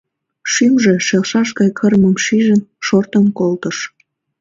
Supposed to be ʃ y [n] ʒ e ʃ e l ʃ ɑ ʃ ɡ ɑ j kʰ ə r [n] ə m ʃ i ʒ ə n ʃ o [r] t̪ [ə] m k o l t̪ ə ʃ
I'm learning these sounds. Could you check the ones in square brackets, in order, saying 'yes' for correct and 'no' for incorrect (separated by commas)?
no, no, yes, yes